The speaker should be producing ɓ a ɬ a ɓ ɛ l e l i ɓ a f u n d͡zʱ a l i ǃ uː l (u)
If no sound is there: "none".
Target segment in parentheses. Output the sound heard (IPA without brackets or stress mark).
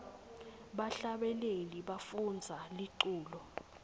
ɔ